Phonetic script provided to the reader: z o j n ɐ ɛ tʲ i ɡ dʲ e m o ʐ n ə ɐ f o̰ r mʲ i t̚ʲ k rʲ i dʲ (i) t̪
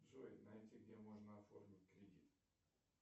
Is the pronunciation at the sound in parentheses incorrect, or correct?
correct